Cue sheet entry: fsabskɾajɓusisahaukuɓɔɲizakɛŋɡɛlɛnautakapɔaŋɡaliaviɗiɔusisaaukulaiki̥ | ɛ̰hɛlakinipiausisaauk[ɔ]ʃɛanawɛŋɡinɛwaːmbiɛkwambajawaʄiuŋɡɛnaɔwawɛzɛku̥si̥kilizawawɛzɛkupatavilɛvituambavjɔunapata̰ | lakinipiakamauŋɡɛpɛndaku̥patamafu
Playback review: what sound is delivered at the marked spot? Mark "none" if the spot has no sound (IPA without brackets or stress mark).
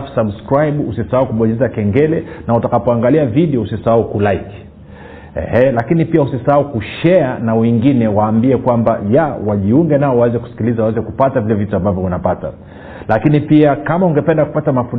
u